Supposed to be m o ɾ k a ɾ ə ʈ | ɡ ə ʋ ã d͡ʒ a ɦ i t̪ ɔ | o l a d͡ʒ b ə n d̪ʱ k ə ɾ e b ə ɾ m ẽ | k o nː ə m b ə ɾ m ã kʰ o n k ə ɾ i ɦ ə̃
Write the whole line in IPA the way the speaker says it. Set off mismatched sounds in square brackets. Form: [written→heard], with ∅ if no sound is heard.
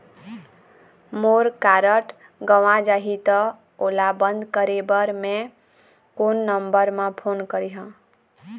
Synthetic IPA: m o ɾ k a ɾ ə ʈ | ɡ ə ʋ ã d͡ʒ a ɦ i t̪ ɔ | o l a [d͡ʒ→∅] b ə n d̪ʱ k ə ɾ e b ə ɾ m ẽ | k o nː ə m b ə ɾ m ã [kʰ→pʰ] o n k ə ɾ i ɦ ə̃

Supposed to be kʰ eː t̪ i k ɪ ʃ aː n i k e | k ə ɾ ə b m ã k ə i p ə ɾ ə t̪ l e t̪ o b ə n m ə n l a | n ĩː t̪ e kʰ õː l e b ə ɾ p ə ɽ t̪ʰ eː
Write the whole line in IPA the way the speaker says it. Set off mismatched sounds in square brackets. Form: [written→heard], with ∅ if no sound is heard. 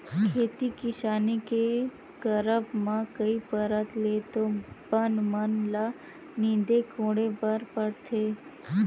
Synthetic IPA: kʰ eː t̪ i k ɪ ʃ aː n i k e | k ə ɾ ə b m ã k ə i p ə ɾ ə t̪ l e t̪ o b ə n m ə n l a | n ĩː [t̪→d̪] e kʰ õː [l→ɽ] e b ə ɾ p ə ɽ t̪ʰ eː

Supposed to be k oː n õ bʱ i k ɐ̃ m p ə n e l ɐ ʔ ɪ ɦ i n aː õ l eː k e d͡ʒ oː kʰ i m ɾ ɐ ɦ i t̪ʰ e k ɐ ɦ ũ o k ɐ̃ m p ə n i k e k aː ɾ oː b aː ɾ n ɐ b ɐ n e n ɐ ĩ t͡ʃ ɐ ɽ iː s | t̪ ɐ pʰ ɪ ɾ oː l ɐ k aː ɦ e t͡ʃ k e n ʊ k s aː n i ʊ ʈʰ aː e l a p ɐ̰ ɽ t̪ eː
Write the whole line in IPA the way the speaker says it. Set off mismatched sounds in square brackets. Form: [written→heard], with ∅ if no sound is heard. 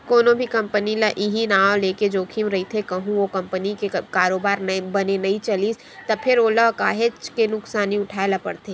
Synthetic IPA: k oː n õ bʱ i k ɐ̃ m p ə n [e→i] l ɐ ʔ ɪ ɦ i n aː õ l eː k e d͡ʒ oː kʰ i m ɾ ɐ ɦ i t̪ʰ e k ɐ ɦ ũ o k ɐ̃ m p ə n i k e k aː ɾ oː b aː ɾ n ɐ b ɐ n e n ɐ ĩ t͡ʃ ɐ [ɽ→l] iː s | t̪ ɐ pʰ ɪ ɾ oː l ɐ k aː ɦ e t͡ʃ k e n ʊ k s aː n i ʊ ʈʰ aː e l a p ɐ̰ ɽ t̪ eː

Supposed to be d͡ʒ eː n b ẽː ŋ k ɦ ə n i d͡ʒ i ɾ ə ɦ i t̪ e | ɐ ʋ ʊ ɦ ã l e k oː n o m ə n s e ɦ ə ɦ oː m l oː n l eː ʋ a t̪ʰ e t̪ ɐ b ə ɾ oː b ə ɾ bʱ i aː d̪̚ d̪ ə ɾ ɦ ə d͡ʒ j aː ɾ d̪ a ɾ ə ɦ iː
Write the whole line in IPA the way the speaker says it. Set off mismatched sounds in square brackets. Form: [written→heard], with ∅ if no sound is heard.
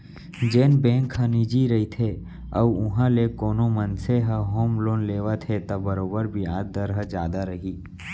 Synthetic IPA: d͡ʒ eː n b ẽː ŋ k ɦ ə n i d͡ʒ i ɾ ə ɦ i [t̪→t̪ʰ] e | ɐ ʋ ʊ ɦ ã l e k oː n o m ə n s e ɦ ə ɦ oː m l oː n l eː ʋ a t̪ʰ e t̪ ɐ b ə ɾ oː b ə ɾ bʱ i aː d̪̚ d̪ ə ɾ ɦ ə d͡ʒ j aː [ɾ→∅] d̪ a ɾ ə ɦ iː

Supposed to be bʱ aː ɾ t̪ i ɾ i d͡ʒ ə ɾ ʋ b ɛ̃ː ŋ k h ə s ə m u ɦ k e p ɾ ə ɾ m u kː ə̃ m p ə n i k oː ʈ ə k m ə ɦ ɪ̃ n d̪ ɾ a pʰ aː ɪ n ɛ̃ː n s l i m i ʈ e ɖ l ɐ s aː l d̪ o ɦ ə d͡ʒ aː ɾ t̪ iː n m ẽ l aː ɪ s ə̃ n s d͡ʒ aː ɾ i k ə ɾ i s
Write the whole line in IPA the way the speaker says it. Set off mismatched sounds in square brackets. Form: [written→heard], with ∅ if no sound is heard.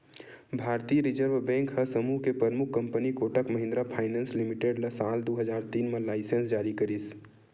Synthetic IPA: bʱ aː ɾ t̪ i ɾ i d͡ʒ ə ɾ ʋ b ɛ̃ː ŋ k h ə s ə m u ɦ k e p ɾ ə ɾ m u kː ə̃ m p ə n i k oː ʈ ə k m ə ɦ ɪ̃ n d̪ ɾ a pʰ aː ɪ n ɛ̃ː n s l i m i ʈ e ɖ l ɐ s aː l d̪ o ɦ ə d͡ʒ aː ɾ t̪ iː n m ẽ l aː ɪ s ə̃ n s d͡ʒ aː ɾ i k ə ɾ i s

